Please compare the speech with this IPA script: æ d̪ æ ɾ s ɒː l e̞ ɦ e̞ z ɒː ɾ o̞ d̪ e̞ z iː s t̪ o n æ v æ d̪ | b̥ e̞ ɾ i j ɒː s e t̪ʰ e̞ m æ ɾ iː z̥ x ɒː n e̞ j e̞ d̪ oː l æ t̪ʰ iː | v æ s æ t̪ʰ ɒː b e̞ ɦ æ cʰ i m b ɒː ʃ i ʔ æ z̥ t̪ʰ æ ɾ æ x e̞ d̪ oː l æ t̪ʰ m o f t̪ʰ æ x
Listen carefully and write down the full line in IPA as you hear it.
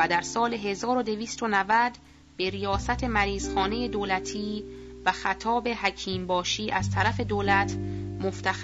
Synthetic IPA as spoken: æ d̪ æ ɾ s ɒː l e̞ ɦ e̞ z ɒː ɾ o̞ d̪ e̞ v iː s t̪ o n æ v æ d̪ | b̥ e̞ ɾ i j ɒː s æ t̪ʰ e̞ m æ ɾ iː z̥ x ɒː n e̞ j e̞ d̪ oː l æ t̪ʰ iː | v æ x æ t̪ʰ ɒː b e̞ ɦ æ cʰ iː m b ɒː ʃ iː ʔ æ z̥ t̪ʰ æ ɾ æ f e̞ d̪ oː l æ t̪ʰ m o f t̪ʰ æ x